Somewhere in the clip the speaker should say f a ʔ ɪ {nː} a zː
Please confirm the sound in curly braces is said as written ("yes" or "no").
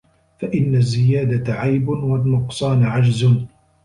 yes